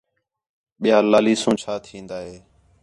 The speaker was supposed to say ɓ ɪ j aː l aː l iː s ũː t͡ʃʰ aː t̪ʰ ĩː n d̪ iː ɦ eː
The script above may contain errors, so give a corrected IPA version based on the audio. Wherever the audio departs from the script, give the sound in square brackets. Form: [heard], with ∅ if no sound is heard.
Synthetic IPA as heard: ɓ ɪ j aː l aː l iː s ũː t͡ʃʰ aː t̪ʰ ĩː n d̪ [aː] ɦ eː